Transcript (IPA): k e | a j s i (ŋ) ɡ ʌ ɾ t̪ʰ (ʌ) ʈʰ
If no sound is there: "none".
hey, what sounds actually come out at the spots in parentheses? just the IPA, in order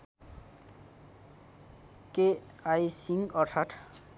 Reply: ŋ, a

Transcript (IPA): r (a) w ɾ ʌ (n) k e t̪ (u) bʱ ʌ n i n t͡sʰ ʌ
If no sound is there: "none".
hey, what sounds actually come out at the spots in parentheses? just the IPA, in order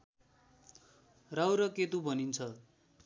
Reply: a, none, u

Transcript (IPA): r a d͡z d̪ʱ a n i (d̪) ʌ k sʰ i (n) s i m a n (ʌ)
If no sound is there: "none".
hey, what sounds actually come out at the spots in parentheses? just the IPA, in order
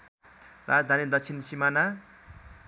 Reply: d̪, n, a

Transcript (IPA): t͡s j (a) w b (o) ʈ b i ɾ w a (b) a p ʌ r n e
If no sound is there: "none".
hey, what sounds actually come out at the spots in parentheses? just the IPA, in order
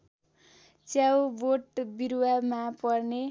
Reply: a, o, m

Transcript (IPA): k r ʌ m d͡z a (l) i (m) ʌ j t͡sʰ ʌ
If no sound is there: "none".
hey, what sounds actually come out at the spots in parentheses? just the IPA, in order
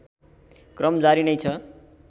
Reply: ɾ, n

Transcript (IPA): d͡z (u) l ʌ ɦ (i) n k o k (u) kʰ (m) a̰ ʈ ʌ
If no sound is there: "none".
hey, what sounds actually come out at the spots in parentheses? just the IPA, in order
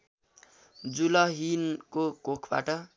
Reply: u, i, o, b

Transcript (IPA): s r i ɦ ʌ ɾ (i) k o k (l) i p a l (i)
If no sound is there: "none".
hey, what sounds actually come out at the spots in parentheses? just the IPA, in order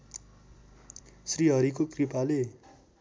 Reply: i, r, e

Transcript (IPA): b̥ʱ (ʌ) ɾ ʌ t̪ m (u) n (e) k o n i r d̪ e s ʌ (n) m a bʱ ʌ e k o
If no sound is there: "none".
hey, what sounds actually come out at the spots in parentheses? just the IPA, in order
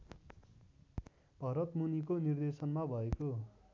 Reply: ʌ, u, i, n

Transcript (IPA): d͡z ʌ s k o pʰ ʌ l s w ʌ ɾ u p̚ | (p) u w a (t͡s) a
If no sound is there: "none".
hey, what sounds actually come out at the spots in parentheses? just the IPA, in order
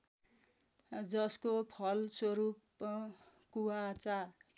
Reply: k, t͡s

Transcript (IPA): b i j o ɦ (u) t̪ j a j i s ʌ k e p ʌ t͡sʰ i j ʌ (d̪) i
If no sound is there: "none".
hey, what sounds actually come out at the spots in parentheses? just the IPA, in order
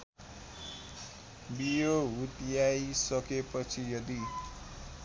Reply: u, d̪

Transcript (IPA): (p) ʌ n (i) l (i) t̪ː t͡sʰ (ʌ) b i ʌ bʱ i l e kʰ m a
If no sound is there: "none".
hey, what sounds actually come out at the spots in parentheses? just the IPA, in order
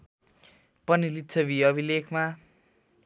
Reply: p, i, i, ʌ

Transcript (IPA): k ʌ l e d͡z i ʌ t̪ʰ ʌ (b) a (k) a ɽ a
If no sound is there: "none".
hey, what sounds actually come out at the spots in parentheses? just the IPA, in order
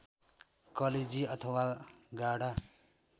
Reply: w, ɡ

